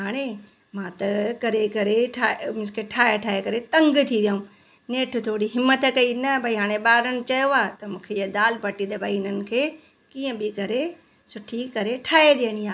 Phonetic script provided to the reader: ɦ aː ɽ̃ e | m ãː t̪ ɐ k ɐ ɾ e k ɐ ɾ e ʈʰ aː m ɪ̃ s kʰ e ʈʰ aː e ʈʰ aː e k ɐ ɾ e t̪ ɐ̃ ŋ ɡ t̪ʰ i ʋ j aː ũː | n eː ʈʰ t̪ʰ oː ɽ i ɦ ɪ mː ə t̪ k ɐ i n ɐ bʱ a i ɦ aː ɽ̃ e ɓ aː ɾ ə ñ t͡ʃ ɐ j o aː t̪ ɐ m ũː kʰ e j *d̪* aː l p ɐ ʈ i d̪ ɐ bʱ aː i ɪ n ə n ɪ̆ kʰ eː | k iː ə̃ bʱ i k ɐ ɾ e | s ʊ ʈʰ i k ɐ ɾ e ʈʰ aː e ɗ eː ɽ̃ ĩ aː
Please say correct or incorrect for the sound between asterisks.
correct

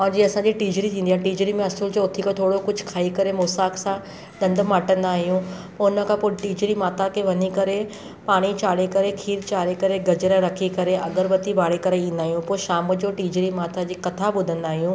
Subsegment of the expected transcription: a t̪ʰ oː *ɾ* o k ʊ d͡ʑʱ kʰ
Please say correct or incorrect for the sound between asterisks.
incorrect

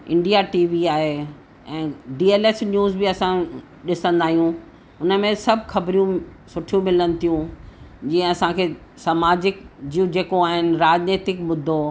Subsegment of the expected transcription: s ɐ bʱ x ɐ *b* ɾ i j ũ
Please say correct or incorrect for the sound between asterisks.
correct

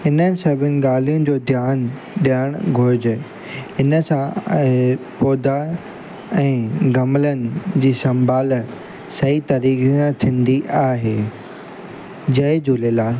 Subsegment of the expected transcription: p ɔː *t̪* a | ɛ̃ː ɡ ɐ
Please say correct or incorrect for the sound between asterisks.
incorrect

